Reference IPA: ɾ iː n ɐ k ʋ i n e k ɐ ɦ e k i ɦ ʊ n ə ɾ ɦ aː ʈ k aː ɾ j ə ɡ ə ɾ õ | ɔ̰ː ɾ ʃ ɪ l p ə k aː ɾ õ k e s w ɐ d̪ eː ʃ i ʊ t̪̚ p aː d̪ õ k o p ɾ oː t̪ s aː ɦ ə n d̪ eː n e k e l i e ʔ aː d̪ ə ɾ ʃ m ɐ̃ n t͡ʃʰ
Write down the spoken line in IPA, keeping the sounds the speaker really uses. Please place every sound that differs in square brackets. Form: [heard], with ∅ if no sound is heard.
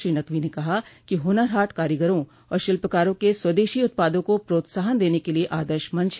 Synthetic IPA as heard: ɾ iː n ɐ k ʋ i n e k ɐ ɦ [a] k i ɦ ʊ n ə ɾ ɦ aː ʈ k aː ɾ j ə ɡ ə ɾ õ | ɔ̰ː ɾ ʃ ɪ l p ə k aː ɾ õ k e s w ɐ d̪ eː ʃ i ʊ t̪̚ p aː d̪ õ k o p ɾ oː t̪ s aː ɦ ə n d̪ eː n e k e l i e ʔ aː d̪ ə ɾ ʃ m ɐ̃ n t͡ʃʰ